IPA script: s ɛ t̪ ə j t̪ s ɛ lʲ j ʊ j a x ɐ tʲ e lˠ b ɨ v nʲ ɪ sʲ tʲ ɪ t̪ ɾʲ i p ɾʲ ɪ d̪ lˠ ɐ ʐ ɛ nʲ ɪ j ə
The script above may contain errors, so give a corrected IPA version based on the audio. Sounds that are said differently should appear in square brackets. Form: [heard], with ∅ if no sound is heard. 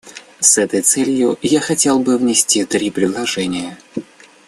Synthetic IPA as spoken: s ɛ t̪ ə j t̪ s ɛ lʲ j ʊ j a x ɐ tʲ e lˠ b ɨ v nʲ ɪ sʲ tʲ [i] t̪ ɾʲ i p ɾʲ ɪ d̪ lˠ ɐ ʐ ɛ nʲ ɪ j ə